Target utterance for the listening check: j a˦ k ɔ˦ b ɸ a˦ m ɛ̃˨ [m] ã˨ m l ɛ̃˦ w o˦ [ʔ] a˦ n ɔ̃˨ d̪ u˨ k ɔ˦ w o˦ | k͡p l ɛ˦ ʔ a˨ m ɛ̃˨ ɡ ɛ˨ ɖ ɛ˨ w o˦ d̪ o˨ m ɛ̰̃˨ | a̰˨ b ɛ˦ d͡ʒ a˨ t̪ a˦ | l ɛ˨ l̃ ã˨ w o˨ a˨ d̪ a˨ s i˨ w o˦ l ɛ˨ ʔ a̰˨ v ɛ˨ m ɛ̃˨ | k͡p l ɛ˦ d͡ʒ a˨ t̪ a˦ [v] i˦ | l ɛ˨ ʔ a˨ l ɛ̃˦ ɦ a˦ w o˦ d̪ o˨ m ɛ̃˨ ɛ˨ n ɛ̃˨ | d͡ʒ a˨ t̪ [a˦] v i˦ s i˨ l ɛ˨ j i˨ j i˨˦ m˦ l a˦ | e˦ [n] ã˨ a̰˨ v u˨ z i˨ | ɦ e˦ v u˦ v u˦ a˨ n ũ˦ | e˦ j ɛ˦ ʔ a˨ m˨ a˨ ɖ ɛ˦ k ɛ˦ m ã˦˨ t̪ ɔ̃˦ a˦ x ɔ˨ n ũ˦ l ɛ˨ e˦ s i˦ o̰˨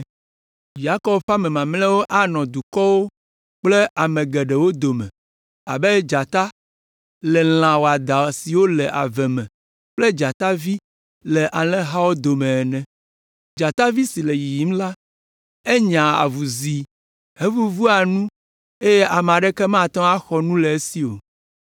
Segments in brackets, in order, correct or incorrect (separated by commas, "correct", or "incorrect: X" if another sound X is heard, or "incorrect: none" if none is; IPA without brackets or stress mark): correct, correct, correct, correct, incorrect: ɲ